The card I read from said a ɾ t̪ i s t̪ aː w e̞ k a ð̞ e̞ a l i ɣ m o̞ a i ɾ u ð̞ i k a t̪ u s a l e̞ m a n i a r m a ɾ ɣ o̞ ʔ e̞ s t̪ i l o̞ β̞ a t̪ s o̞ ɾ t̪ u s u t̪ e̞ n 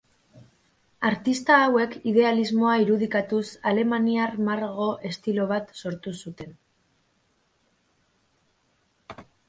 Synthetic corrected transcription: a ɾ t̪ i s t̪ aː w e̞ k i ð̞ e̞ a l i z m o̞ a i ɾ u ð̞ i k a t̪ u s a l e̞ m a n i a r m a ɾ ɣ o̞ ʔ e̞ s t̪ i l o̞ β̞ a t̪ s o̞ ɾ t̪ u s u t̪ e̞ n